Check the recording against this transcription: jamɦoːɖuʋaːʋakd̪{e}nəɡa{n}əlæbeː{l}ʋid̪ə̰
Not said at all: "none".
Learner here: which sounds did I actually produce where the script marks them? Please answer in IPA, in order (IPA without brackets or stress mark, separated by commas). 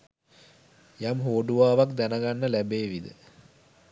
æ, nː, none